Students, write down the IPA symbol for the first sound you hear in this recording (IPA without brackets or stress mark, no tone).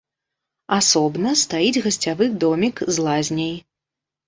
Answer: a